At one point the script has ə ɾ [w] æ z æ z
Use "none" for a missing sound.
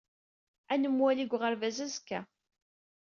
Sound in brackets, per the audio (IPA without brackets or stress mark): v